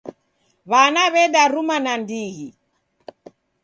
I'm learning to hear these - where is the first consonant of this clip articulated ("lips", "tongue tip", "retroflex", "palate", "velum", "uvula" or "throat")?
lips